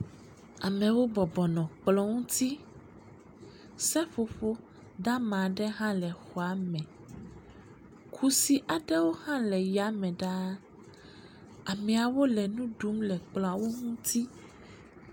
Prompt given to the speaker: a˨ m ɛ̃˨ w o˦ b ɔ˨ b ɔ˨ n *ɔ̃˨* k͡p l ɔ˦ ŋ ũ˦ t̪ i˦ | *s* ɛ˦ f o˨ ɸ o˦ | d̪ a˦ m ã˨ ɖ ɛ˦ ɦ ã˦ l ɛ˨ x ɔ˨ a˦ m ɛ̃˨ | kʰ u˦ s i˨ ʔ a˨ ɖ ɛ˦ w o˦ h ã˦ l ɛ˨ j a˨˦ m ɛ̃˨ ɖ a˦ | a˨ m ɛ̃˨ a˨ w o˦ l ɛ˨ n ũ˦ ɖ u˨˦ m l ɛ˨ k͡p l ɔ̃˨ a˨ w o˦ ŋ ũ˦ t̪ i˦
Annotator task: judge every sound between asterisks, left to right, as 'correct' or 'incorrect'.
correct, correct

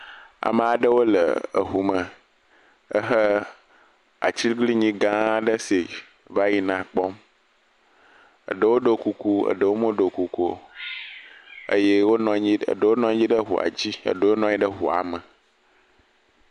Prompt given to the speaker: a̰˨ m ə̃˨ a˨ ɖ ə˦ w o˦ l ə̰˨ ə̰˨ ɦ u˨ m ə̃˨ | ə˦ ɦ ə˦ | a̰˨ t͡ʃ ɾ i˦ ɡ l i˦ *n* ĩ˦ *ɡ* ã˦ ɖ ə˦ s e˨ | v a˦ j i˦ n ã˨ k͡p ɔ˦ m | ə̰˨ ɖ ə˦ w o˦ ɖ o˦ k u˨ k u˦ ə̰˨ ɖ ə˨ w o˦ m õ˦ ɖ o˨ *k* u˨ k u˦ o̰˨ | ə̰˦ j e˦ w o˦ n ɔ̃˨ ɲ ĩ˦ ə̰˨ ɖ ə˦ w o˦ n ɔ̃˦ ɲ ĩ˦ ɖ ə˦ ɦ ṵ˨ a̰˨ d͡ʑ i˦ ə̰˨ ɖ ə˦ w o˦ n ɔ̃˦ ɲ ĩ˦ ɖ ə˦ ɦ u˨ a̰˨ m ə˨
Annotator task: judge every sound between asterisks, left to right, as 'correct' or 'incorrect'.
incorrect: ɲ, correct, correct

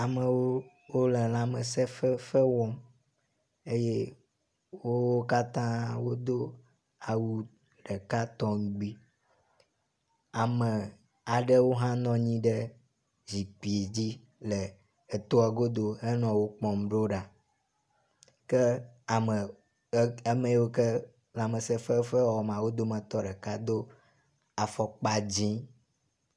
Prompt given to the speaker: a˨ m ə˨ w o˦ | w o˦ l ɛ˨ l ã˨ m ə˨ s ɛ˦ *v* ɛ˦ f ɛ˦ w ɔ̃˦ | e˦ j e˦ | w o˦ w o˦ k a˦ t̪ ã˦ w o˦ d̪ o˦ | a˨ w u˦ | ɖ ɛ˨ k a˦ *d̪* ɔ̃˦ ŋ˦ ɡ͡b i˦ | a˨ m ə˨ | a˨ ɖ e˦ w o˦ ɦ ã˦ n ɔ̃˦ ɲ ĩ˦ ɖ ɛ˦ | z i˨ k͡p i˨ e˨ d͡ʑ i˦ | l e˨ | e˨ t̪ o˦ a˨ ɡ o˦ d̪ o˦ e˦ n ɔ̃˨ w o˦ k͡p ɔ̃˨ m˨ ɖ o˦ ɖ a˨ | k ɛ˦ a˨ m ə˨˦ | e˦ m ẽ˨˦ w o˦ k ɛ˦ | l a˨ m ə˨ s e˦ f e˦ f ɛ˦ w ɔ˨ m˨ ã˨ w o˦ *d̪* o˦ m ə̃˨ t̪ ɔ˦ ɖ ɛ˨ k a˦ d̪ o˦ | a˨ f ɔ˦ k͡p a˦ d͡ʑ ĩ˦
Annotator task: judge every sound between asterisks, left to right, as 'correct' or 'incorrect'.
incorrect: f, incorrect: t̪, correct

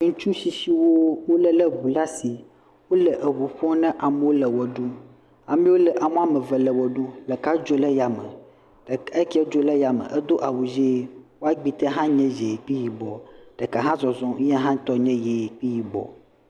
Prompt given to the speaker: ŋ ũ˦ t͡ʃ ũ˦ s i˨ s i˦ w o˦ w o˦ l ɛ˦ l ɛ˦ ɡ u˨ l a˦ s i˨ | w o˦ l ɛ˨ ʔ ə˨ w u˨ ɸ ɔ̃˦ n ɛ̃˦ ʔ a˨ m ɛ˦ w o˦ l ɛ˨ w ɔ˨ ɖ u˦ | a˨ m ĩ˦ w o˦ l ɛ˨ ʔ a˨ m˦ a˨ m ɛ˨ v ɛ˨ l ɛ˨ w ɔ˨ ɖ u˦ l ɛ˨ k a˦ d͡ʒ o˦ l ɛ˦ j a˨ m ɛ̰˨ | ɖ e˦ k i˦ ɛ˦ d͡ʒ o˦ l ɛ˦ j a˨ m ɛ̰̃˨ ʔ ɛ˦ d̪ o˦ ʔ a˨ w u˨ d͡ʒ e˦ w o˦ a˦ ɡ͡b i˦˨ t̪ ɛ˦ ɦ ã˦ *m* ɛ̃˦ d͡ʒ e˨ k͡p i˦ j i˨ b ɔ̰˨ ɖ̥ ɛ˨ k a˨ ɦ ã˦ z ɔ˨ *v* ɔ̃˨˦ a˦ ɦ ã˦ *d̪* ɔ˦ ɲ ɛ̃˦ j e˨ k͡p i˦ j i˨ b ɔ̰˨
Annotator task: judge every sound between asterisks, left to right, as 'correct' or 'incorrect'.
incorrect: ɲ, incorrect: z, incorrect: t̪

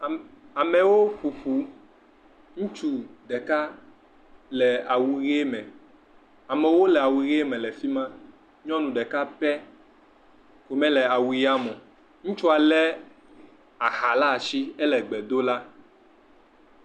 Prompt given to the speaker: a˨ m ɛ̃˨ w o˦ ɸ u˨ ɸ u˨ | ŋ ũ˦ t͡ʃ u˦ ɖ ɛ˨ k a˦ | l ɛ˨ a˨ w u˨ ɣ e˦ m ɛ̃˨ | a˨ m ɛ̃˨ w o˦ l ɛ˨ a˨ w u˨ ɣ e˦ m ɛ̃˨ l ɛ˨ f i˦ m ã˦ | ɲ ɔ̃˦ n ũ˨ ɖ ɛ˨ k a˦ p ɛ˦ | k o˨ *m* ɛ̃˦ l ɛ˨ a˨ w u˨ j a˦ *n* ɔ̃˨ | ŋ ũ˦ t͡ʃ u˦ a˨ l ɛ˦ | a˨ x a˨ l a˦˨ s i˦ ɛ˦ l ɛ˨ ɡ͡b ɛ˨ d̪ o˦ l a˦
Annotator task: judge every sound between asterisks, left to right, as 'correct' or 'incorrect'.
correct, incorrect: m

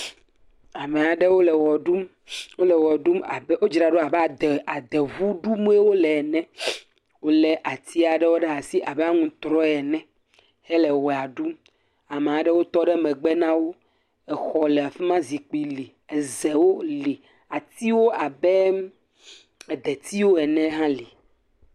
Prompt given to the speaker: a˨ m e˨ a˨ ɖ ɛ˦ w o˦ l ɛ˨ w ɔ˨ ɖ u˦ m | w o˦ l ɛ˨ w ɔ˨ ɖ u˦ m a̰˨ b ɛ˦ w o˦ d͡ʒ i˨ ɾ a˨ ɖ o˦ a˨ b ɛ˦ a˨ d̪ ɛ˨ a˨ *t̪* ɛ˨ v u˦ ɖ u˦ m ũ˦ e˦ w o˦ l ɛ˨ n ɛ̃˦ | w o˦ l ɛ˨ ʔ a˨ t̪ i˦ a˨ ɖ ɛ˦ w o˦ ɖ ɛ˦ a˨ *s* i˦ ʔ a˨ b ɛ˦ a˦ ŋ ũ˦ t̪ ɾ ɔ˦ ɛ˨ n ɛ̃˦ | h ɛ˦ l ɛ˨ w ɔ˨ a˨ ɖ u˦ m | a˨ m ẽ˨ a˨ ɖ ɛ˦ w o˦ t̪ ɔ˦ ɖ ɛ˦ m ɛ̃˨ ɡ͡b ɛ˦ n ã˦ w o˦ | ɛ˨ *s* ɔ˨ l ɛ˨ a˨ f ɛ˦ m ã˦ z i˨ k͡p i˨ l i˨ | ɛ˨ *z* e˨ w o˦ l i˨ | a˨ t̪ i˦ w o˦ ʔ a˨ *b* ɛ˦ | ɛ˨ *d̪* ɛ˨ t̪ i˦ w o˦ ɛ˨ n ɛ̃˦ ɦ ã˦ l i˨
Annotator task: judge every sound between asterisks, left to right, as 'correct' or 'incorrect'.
incorrect: d̪, correct, incorrect: x, correct, correct, correct

